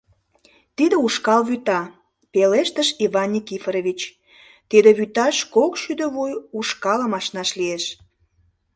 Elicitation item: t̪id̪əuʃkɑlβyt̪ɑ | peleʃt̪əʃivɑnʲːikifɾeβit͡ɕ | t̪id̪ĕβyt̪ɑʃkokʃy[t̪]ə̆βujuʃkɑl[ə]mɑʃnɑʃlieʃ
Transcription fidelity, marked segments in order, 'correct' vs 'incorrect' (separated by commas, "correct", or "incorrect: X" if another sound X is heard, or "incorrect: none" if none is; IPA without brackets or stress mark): incorrect: d̪, correct